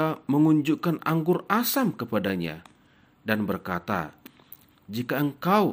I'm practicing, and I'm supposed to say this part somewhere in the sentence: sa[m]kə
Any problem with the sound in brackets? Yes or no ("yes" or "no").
no